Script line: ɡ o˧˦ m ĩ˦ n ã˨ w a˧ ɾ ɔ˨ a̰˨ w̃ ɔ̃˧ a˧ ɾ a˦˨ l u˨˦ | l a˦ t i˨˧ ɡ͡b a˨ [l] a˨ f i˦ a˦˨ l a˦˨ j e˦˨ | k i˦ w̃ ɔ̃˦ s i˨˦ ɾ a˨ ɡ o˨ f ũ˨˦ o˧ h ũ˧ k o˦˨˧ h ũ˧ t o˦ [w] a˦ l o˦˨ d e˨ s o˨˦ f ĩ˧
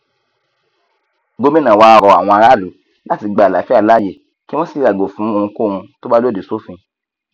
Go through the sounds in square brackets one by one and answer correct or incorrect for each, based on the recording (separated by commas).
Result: correct, incorrect